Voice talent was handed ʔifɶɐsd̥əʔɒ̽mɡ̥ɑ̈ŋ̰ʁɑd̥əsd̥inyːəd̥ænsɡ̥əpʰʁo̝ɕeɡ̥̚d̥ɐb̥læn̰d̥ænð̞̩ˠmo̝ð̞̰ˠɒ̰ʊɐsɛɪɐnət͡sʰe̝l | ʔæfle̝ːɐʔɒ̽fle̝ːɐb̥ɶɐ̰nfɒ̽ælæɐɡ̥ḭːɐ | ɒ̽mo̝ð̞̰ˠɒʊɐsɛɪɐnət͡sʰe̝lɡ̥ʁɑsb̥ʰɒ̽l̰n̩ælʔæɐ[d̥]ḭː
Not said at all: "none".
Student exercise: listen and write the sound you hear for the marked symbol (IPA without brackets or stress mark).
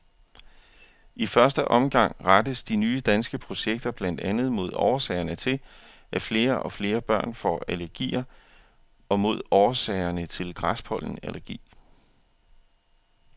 ɡ̥